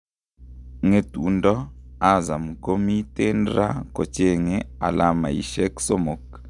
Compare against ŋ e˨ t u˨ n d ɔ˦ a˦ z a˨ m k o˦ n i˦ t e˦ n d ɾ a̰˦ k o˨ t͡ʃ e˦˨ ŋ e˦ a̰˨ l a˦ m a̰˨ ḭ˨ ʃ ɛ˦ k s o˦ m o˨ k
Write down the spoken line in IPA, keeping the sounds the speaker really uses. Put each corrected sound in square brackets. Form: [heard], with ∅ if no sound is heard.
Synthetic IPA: ŋ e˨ t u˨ n d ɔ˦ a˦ z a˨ m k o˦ [m] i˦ t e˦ n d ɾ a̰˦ k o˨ t͡ʃ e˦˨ ŋ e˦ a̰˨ l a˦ m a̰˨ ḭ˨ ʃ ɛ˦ k s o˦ m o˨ k